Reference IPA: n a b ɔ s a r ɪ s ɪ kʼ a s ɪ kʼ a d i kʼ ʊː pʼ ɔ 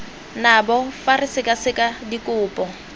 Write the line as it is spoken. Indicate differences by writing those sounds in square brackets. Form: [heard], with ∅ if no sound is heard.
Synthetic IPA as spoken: n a b ɔ [f] a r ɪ s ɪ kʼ a s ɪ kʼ a d i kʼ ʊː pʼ ɔ